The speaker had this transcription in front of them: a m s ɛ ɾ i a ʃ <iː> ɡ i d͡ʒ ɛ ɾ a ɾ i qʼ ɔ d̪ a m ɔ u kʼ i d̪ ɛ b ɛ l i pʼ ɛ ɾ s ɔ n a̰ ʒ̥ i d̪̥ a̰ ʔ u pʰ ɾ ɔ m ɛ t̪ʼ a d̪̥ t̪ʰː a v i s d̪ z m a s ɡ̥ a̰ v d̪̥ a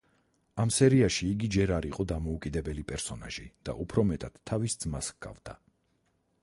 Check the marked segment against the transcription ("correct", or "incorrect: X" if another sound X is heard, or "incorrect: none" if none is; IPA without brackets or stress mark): correct